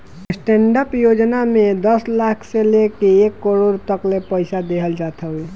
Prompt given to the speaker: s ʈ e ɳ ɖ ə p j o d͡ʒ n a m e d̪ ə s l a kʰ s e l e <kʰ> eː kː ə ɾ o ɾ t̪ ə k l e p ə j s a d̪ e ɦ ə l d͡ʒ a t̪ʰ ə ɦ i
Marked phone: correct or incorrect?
incorrect